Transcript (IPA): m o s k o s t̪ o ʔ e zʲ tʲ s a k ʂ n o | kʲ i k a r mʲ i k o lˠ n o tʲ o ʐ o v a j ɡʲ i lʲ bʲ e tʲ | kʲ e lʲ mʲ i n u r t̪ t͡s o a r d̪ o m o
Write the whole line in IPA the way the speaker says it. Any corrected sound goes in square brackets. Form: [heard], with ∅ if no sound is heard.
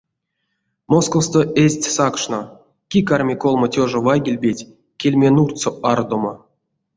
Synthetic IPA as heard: m o s k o s t̪ o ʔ e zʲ tʲ s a k ʂ n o | kʲ i k a r mʲ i k o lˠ [m] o tʲ o ʐ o v a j ɡʲ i lʲ bʲ e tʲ | kʲ e lʲ mʲ [e] n u r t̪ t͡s o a r d̪ o m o